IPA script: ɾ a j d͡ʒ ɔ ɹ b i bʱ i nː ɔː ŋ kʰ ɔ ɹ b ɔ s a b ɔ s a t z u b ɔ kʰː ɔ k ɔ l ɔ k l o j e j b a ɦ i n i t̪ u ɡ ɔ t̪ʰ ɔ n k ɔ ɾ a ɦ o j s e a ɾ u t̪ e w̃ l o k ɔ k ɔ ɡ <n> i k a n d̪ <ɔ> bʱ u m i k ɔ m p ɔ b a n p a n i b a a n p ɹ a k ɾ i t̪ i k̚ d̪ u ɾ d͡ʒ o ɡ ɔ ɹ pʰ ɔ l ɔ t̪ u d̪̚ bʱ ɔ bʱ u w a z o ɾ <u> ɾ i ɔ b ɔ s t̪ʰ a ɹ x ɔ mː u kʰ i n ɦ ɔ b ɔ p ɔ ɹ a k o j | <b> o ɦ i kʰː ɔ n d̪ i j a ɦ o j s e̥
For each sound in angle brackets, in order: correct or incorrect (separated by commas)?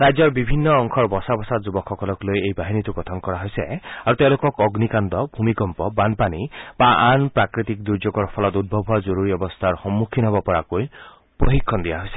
correct, correct, correct, incorrect